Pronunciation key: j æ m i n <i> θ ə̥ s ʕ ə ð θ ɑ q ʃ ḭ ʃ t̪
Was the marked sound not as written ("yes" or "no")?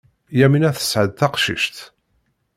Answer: yes